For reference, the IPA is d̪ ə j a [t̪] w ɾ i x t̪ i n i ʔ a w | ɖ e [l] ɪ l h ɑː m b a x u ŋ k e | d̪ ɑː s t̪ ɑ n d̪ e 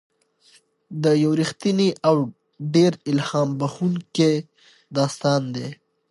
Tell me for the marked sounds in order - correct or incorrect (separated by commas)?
incorrect, incorrect